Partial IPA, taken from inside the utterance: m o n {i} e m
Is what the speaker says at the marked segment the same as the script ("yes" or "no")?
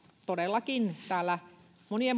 yes